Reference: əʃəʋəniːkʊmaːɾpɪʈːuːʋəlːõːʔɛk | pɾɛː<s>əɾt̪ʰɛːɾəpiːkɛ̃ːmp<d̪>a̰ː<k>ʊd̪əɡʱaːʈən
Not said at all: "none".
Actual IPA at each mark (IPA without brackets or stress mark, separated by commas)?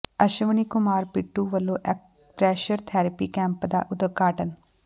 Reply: ʃ, d̪, ʔ